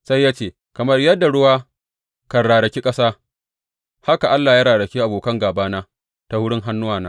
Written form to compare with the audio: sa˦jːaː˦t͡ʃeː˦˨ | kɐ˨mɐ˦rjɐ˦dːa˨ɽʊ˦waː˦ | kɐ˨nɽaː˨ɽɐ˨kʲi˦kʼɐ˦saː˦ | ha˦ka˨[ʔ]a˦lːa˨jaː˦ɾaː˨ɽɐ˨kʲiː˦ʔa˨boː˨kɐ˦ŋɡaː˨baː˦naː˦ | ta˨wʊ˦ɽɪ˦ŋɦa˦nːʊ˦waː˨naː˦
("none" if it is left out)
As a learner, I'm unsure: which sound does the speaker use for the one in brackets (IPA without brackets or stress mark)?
ʔ